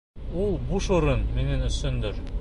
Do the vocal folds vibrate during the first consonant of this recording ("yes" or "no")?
yes